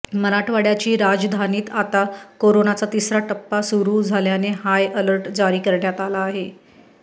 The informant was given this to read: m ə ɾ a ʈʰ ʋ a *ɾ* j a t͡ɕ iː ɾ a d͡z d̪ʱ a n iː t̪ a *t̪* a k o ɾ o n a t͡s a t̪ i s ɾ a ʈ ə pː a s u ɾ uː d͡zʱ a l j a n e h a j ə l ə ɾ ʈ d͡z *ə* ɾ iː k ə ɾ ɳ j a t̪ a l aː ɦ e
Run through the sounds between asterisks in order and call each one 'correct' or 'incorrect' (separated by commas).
incorrect, correct, incorrect